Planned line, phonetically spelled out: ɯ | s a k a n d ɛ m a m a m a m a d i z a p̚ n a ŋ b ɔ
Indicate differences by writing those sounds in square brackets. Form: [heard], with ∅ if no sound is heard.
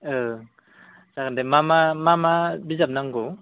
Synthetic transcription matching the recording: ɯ | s a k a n d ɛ m a m a m a m a [b] i z a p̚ n a ŋ [ɡ] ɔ